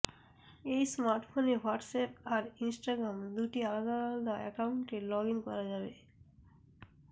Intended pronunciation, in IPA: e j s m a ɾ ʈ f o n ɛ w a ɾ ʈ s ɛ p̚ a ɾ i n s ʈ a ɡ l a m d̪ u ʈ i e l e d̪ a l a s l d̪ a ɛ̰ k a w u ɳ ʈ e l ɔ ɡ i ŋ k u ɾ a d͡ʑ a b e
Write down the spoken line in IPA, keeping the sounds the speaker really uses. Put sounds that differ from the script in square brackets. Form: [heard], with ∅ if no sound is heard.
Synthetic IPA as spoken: e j s m a ɾ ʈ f o n [e] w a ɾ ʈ s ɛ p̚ a ɾ i n s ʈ a ɡ [ɾ] a m d̪ u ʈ i [a] l [a] d̪ a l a [∅] l d̪ a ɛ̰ k a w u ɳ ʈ e l ɔ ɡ i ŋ k [ɔ] ɾ a d͡ʑ a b e